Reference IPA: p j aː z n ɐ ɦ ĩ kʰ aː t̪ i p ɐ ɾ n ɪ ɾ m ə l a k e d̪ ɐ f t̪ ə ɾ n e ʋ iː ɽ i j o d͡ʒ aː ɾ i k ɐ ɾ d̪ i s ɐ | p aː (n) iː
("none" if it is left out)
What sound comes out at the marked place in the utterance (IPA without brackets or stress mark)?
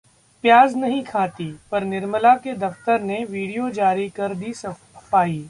none